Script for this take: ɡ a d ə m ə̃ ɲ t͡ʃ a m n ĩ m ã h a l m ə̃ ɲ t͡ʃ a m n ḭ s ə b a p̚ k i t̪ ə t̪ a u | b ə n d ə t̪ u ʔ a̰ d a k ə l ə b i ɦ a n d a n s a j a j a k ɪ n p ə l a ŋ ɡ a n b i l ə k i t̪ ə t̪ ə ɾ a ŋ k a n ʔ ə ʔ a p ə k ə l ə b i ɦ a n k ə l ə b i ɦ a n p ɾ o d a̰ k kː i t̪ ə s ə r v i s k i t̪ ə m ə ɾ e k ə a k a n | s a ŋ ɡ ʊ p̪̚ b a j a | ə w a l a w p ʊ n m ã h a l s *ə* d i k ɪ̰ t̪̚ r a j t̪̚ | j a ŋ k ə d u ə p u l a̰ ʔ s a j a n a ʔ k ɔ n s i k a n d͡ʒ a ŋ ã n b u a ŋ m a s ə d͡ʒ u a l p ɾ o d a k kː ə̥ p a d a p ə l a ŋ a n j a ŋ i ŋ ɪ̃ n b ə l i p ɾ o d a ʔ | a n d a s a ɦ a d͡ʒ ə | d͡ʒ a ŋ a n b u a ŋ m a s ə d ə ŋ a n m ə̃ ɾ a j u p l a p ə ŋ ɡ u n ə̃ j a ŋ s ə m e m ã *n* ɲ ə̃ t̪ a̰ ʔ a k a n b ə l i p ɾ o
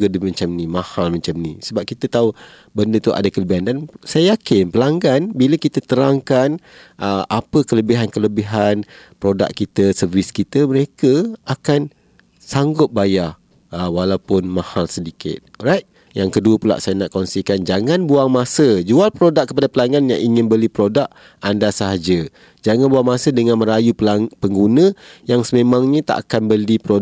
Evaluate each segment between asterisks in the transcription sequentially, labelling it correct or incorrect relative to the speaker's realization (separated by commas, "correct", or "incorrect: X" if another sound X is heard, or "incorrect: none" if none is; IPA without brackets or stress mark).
correct, incorrect: ŋ